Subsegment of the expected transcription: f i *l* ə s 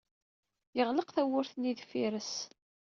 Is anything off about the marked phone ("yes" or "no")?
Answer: yes